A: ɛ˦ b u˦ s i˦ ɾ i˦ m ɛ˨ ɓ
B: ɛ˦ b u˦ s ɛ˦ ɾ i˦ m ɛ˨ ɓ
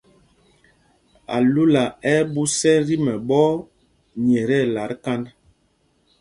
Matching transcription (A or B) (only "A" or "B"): B